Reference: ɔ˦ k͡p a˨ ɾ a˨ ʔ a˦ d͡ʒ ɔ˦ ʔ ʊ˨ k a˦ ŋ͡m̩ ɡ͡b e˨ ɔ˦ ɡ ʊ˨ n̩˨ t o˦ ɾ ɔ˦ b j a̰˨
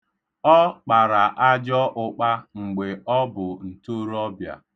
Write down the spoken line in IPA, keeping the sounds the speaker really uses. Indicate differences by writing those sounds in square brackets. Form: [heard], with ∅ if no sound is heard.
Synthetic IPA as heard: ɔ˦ k͡p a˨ ɾ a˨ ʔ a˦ d͡ʒ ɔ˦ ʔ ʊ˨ [k͡p] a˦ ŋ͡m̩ ɡ͡b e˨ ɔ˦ [b] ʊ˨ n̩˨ t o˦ ɾ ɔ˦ b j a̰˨